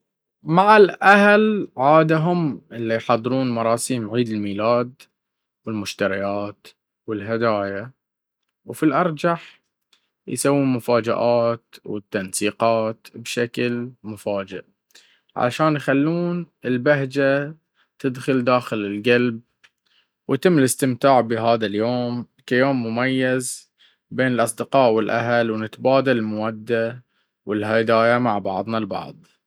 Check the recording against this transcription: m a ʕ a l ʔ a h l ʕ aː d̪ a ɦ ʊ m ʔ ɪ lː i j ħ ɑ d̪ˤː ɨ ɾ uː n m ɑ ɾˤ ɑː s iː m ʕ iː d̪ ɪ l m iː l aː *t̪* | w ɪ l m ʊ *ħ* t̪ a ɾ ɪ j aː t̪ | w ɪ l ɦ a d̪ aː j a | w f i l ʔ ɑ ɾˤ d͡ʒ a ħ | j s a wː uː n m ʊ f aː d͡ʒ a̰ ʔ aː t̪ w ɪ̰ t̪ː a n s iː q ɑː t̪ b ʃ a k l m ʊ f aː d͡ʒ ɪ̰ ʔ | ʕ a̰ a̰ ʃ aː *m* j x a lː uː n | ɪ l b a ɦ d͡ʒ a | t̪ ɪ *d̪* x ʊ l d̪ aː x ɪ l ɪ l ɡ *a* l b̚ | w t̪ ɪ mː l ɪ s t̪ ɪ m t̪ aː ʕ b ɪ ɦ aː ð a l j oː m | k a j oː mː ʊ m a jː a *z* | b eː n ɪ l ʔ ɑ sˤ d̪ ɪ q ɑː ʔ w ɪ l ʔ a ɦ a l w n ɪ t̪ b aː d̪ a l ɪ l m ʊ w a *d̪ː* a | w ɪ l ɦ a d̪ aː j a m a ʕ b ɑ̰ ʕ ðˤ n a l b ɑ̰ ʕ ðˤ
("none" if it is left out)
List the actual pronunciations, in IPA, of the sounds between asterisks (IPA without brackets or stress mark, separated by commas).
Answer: d̪, ʃ, n, d̪, a, z, d̪ː